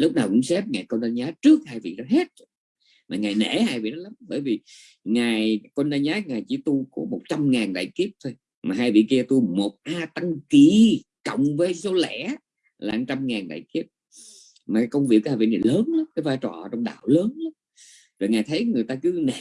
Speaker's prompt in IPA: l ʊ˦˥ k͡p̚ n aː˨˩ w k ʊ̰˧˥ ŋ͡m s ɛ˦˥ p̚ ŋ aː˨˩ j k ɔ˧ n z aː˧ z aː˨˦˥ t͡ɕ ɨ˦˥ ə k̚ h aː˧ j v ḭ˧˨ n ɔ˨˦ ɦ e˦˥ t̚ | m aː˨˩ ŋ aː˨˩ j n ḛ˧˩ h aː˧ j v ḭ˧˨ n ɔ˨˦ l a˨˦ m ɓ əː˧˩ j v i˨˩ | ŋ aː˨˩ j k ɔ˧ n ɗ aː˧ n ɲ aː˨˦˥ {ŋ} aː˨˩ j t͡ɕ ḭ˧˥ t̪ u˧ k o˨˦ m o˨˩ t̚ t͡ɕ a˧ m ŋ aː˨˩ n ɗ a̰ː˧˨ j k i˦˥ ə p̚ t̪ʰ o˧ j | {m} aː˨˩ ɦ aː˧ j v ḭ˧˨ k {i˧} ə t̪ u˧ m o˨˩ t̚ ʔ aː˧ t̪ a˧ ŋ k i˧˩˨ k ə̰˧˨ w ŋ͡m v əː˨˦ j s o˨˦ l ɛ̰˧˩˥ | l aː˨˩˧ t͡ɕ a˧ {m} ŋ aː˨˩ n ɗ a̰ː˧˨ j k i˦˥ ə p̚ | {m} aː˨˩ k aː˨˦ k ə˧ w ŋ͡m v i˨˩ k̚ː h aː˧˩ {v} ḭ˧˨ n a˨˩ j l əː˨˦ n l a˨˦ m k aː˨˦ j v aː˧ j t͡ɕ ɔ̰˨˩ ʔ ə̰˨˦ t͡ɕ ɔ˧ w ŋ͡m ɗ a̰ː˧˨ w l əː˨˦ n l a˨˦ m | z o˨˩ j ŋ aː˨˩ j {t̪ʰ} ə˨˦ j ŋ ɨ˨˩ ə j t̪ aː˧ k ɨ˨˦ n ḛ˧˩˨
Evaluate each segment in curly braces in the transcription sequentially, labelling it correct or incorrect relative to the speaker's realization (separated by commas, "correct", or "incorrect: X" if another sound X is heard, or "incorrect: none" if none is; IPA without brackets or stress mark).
correct, correct, correct, correct, correct, correct, correct